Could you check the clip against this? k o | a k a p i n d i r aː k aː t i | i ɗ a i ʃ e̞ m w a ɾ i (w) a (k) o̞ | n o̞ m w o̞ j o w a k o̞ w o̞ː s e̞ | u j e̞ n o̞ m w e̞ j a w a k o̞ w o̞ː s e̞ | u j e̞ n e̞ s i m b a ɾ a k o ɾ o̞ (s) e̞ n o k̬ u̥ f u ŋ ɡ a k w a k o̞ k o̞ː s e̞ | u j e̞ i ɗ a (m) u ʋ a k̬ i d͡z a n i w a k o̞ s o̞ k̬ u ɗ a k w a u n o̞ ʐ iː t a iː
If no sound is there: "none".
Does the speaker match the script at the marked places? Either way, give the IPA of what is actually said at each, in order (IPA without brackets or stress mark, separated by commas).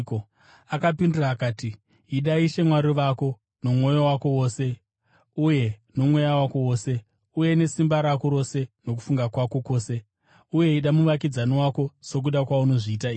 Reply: ʋ, k, s, m